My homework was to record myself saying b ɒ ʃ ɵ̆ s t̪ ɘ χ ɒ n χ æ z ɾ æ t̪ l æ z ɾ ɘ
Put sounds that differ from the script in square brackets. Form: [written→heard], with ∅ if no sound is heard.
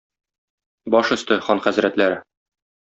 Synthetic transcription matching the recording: b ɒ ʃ ɵ̆ s t̪ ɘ χ ɒ n χ æ z ɾ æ t̪ l æ [z→∅] ɾ ɘ